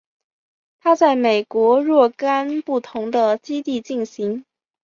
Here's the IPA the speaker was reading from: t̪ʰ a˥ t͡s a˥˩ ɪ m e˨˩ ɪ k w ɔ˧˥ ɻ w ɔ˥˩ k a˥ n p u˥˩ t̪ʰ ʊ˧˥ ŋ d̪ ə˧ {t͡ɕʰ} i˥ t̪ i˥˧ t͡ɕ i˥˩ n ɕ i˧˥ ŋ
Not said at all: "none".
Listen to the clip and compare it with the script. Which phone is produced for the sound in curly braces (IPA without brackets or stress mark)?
t͡ɕ